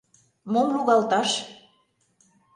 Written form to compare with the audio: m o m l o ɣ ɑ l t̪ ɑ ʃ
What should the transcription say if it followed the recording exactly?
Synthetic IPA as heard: m o m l u ɣ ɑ l t̪ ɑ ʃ

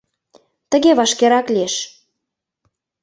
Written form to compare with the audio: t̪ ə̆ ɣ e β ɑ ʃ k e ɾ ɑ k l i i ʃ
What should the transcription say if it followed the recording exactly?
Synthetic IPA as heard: t̪ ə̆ ɣ e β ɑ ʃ k e ɾ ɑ k l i e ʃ

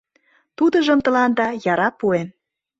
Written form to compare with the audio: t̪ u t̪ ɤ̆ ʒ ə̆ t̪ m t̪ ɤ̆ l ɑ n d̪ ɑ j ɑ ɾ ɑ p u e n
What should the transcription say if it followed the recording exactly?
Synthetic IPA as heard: t̪ u d̪ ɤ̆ ʒ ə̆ m t̪ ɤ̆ l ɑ n d̪ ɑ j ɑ ɾ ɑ p u e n

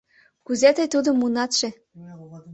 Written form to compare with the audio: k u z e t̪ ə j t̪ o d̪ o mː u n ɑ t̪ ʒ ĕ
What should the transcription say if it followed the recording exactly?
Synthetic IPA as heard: k u z e t̪ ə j t̪ u d̪ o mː u n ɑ t̪ ʃ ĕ

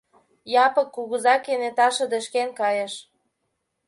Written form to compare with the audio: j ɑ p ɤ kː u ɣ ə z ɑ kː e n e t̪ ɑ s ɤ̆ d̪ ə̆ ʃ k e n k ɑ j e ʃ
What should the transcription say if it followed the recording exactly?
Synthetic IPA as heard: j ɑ p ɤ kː u ɣ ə z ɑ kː e n e t̪ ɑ ʃ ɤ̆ d̪ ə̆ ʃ k e n k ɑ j e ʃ

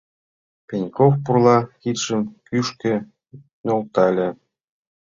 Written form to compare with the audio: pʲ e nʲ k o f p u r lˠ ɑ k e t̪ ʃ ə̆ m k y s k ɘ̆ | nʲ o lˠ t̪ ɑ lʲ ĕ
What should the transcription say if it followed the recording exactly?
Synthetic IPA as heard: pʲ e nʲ k o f p u r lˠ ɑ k i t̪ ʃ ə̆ m k y ʃ k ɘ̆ | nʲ o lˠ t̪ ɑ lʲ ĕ

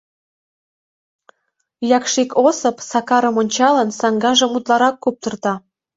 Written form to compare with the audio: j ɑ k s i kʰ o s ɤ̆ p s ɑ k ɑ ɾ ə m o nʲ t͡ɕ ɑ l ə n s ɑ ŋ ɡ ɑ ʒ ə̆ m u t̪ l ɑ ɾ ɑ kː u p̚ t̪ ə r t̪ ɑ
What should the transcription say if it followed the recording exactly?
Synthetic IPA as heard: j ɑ k ʃ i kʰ o s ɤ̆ p s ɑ k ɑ ɾ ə m o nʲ t͡ɕ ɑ l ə n s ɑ ŋ ɡ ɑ ʒ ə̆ m u t̪ l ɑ ɾ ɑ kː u p̚ t̪ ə r t̪ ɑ

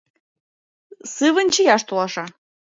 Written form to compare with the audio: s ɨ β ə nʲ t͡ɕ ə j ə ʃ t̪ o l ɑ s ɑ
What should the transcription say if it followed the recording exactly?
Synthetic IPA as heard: s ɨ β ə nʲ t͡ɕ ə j ɑ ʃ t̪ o l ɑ ʃ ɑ

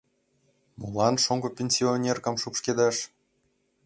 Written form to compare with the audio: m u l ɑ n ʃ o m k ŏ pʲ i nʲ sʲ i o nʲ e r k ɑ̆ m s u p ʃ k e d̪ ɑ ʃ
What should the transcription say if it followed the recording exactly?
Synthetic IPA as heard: m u l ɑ n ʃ o ŋ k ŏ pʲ e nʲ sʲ i o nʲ e r k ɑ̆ m ʃ u p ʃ k e d̪ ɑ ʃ

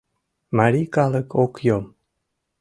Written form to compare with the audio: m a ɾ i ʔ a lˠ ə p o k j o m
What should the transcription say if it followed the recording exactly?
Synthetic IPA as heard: m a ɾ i k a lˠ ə k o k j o m

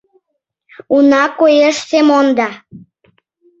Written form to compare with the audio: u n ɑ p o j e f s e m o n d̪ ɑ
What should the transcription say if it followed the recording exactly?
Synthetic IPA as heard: u n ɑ k o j e ʃ s e m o n d̪ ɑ

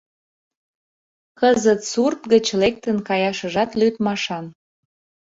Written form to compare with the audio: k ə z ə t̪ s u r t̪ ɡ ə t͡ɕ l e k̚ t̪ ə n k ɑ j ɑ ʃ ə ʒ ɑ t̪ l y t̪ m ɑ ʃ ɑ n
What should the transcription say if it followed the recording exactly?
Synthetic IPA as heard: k ə z ə t̪ s u r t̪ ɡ ə t͡ɕ l e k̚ t̪ ə n k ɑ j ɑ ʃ ə ʒ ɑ t̪ l y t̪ m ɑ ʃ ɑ n

